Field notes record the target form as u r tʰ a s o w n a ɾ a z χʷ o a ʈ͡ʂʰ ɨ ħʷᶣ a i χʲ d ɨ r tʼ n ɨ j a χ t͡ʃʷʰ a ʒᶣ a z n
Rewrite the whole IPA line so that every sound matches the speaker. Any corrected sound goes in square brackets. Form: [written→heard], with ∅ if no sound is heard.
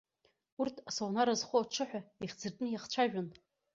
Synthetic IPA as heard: u r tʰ a s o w n a ɾ a z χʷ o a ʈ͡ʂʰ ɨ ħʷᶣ a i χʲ [d→d͡z] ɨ r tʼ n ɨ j a χ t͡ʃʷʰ a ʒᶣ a [z→∅] n

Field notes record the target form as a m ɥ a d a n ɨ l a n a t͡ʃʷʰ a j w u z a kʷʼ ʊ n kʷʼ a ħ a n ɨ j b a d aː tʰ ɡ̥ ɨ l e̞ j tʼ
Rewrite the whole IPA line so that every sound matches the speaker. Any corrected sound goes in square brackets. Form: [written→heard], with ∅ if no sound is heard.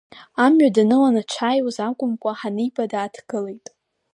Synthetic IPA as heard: a m ɥ a d a n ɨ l a n a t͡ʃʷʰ a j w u z a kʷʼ ʊ [n→m] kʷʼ a ħ a n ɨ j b a d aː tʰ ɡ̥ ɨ l e̞ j tʼ

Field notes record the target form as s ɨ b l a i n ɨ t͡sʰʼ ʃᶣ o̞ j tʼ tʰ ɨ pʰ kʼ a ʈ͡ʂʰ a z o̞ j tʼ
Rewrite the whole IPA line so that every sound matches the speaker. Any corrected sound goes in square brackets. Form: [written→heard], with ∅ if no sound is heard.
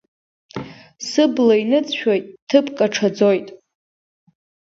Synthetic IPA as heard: s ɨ b l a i n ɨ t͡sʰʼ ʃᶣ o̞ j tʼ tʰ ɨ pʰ kʼ a ʈ͡ʂʰ a [z→d͡z] o̞ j tʼ

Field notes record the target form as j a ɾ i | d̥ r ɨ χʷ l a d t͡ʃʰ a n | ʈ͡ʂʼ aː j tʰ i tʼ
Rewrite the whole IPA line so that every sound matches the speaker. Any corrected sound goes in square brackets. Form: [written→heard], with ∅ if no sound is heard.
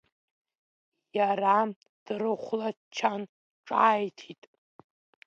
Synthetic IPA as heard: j a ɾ [i→a] | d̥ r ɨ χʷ l a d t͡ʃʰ a n | ʈ͡ʂʼ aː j tʰ i tʼ

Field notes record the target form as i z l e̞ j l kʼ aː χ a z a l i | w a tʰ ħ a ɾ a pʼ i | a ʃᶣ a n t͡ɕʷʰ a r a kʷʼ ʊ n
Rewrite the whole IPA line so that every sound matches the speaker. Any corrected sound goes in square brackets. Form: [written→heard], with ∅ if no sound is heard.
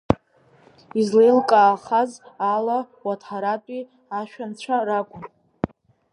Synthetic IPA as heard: i z l e̞ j l kʼ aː χ a z a l [i→a] | w a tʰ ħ a ɾ a [pʼ→tʼ] i | a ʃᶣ a n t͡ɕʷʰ a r a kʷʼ ʊ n

